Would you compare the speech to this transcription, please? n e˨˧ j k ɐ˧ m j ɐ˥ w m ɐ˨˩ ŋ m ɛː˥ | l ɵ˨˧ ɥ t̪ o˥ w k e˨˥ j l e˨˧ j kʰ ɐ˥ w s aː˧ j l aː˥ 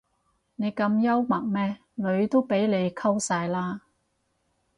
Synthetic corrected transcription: n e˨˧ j k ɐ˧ m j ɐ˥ w m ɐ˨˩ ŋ m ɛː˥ | l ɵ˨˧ ɥ t̪ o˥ w p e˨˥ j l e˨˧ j kʰ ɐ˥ w s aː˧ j l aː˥

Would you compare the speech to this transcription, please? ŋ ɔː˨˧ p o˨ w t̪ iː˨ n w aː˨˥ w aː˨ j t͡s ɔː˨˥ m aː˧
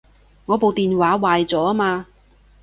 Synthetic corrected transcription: ŋ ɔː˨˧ p o˨ w t̪ iː˨ n w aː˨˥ w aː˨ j t͡s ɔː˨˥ m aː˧

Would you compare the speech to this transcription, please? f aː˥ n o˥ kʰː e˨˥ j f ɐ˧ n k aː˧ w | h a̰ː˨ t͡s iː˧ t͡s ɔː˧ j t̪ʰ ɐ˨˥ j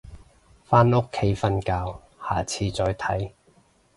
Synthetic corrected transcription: f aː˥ n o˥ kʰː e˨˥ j f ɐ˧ n k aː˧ w | h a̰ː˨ t͡sʰ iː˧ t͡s ɔː˧ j t̪ʰ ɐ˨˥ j

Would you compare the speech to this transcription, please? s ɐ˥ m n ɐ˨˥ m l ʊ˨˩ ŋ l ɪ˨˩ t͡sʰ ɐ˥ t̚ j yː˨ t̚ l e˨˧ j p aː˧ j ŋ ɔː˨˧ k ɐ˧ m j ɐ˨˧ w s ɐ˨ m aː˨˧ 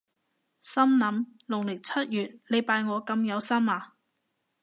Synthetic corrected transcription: s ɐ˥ m n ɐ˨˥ m l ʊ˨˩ ŋ l ɪ˨˩ t͡sʰ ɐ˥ t̚ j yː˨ t̚ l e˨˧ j p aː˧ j ŋ ɔː˨˧ k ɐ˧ m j ɐ˨˧ w s ɐ˥ m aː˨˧

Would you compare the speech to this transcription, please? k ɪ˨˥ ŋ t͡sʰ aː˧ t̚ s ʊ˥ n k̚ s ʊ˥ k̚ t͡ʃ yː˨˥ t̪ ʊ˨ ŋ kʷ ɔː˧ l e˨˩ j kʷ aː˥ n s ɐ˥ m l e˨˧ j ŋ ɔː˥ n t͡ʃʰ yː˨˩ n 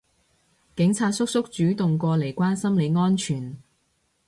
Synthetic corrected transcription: k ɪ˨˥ ŋ t͡sʰ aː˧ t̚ s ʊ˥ k̚ s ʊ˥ k̚ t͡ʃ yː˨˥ t̪ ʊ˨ ŋ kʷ ɔː˧ l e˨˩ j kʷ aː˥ n s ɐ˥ m l e˨˧ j ŋ ɔː˥ n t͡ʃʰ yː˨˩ n

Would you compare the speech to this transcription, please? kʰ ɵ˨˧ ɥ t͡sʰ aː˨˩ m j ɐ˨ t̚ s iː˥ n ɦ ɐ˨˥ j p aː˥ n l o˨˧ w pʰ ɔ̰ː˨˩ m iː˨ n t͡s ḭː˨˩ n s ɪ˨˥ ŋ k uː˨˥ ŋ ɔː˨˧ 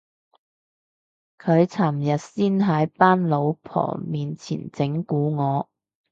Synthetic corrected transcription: kʰ ɵ˨˧ ɥ t͡sʰ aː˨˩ m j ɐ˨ t̚ s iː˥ n ɦ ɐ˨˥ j p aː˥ n l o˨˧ w pʰ ɔ̰ː˨˩ m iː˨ n t͡sʰ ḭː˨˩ n t͡s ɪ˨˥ ŋ k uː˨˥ ŋ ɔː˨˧

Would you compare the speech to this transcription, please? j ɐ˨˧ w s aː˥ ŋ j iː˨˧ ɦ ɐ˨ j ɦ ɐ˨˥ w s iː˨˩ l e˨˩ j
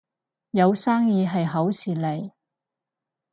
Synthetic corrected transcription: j ɐ˨˧ w s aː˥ ŋ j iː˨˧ ɦ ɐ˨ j ɦ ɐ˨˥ w s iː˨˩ l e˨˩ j

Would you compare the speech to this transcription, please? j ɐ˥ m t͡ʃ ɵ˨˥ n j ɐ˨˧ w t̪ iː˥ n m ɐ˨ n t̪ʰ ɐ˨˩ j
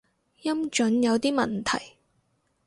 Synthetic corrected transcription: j ɐ˥ m t͡ʃ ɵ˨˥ n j ɐ˨˧ w t̪ iː˥ m ɐ˨ n t̪ʰ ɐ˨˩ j

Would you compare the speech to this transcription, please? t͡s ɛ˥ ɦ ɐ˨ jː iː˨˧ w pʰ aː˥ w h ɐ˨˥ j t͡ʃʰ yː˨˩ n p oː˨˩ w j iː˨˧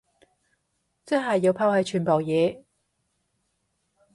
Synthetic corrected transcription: t͡s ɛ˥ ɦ ɐ˨ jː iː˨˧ w pʰ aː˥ w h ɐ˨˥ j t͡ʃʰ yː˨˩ n p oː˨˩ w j ɛː˨˧

